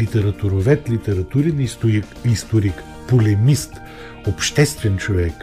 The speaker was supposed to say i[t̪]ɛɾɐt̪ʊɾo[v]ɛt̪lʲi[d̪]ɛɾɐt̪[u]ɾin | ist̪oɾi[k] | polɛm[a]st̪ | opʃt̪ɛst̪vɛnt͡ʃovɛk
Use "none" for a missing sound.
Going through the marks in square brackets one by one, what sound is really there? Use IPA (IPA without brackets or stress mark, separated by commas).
t̪, v, t̪, u, k, i